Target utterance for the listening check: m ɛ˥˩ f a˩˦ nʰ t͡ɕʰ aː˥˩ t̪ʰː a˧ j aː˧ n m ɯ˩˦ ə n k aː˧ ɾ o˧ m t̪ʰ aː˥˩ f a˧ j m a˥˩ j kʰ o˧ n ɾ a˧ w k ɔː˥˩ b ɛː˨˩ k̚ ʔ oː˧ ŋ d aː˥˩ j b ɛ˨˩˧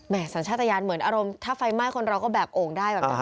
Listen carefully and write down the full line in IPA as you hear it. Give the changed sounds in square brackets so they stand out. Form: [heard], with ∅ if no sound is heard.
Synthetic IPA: m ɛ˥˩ [s] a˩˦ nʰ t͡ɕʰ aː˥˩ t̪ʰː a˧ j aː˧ n m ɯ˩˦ ə n [ʔ] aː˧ ɾ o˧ m t̪ʰ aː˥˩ f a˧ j m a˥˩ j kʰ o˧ n ɾ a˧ w k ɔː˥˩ b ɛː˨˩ [p̚] ʔ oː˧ ŋ d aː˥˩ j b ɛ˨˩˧